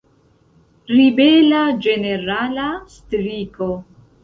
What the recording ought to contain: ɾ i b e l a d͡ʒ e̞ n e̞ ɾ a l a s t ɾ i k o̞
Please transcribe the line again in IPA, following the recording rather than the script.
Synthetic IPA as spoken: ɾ i b e l a d͡ʒ e̞ n e̞ ɾ a l a s t ɾ i k o̞